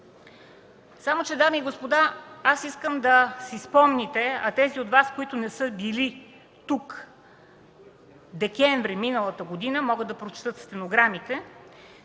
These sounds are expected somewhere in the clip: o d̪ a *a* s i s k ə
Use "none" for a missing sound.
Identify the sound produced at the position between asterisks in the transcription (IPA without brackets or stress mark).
a